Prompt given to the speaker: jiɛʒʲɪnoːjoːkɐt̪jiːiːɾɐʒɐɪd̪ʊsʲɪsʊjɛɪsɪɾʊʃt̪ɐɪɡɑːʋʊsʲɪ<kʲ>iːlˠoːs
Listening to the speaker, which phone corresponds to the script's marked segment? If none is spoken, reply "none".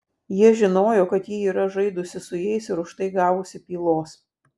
pʲ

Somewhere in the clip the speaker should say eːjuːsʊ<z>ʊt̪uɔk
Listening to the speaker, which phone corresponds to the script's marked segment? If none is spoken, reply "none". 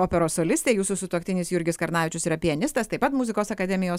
s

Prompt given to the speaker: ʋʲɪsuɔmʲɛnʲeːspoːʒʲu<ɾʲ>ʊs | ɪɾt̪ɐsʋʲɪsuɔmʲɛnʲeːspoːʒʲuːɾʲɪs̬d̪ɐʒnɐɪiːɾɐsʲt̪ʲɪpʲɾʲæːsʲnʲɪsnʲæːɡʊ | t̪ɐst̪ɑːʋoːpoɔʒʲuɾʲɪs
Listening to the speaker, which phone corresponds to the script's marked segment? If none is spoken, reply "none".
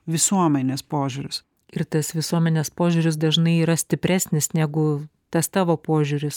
ɾʲ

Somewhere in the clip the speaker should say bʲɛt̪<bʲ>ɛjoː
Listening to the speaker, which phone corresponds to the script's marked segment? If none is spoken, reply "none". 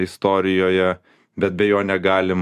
bʲ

